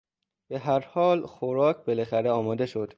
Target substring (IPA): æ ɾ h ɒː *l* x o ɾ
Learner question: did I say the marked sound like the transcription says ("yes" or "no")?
yes